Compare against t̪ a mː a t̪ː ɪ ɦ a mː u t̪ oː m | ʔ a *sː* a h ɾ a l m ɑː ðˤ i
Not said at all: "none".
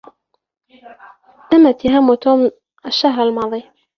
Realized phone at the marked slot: ʃː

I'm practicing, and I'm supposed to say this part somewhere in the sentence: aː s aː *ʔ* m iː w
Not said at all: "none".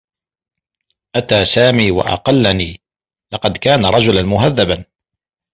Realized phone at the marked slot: none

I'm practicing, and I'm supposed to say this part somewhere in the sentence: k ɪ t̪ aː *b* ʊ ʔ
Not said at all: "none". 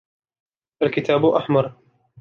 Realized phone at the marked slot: b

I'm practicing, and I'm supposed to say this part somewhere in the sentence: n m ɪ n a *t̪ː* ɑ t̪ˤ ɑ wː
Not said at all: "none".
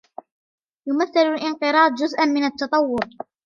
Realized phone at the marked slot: t̪ː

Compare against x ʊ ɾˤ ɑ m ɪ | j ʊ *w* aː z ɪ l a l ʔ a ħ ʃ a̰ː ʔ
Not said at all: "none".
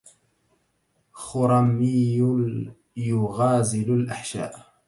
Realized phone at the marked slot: ɣ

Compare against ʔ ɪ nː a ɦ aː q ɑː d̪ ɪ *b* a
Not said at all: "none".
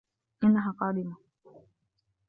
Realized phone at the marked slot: m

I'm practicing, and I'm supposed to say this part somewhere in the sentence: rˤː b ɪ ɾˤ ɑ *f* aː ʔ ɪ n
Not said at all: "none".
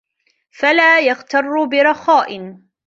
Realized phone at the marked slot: x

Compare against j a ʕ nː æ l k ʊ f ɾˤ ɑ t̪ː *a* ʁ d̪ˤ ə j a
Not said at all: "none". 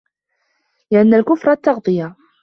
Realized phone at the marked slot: ɑ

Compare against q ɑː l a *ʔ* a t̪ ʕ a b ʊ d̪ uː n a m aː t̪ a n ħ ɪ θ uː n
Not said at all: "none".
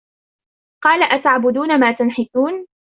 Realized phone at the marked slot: ʔ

